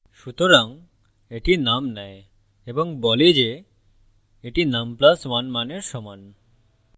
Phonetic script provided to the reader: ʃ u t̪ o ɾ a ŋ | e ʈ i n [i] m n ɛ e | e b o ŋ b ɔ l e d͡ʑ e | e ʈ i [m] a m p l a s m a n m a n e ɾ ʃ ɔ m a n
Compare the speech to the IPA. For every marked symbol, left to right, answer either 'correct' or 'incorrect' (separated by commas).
incorrect, incorrect